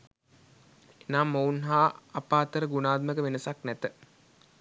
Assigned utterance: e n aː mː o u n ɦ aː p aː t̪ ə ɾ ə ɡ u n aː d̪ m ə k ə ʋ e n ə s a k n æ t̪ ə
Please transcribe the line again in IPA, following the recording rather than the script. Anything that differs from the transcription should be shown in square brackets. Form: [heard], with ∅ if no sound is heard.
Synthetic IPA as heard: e n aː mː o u n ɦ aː p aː t̪ ə ɾ ə ɡ u n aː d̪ m ə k ə ʋ e n ə s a k n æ t̪ ə